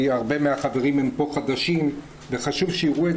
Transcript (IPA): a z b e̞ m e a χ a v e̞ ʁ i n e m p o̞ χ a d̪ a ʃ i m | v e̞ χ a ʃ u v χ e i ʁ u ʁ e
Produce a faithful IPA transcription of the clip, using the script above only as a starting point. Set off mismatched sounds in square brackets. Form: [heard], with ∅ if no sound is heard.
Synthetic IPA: a [ʁ] b e̞ m e a χ a v e̞ ʁ i [m] e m p o̞ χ a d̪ a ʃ i m | v e̞ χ a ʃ u v [ʃ] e i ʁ u [∅] e